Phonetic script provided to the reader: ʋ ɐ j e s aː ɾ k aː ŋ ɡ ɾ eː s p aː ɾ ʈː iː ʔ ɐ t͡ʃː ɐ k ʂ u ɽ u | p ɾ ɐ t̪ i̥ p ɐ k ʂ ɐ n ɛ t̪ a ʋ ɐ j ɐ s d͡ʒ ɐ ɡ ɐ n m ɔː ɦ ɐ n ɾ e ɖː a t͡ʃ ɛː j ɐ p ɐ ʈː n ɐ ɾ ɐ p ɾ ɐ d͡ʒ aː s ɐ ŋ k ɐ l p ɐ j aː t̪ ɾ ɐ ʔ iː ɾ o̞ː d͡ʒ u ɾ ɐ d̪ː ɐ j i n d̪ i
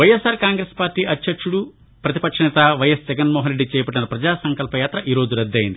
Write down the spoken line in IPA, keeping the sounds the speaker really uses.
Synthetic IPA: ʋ ɐ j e s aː ɾ k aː ŋ ɡ ɾ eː s p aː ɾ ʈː iː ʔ ɐ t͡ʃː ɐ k ʂ u ɽ u | p ɾ ɐ t̪ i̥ p ɐ k ʂ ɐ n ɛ t̪ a ʋ ɐ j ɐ s d͡ʒ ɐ ɡ ɐ n m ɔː ɦ ɐ n ɾ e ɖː i t͡ʃ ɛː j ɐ p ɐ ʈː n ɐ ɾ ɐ p ɾ ɐ d͡ʒ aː s ɐ ŋ k ɐ l p ɐ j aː t̪ ɾ ɐ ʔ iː ɾ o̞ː d͡ʒ u ɾ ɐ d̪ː ɐ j i n d̪ i

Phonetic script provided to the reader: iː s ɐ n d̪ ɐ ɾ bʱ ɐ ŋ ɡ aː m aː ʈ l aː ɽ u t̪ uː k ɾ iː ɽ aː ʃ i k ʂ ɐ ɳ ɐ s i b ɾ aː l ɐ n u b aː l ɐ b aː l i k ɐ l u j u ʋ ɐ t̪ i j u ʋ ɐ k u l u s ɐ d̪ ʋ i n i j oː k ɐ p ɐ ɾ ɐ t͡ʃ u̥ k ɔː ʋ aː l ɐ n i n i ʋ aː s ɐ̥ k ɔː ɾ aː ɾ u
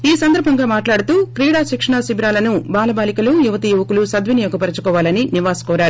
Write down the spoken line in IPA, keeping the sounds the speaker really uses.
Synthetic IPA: iː s ɐ n d̪ ɐ ɾ bʱ ɐ ŋ ɡ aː m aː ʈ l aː ɽ u t̪ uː k ɾ iː ɽ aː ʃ i k ʂ ɐ ɳ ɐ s i b ɾ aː l ɐ n u b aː l ɐ b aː l i k ɐ l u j u ʋ ɐ t̪ i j u ʋ ɐ k u l u s ɐ d̪ ʋ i n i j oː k ɐ p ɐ ɾ ɐ t͡ʃ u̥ k ɔː ʋ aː l ɐ n i n i ʋ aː s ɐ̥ k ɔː ɾ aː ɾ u

